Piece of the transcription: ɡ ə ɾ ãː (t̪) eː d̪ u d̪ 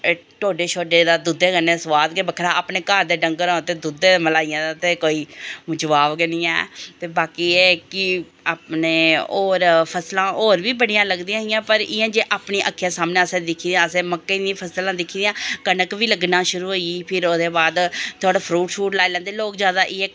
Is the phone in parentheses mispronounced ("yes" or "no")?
no